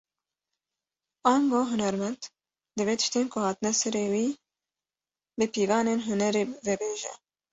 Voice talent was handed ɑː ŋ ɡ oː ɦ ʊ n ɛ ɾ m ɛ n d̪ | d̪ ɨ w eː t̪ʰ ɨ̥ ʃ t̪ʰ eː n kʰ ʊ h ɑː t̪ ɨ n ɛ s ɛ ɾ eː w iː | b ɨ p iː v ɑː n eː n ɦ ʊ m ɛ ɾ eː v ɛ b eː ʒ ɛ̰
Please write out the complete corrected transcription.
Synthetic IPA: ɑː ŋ ɡ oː ɦ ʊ n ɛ ɾ m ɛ n d̪ | d̪ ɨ v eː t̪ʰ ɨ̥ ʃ t̪ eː n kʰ ʊ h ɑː t̪ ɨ n ɛ s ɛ ɾ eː w iː | b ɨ p iː v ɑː n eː n ɦ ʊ n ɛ ɾ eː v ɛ b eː ʒ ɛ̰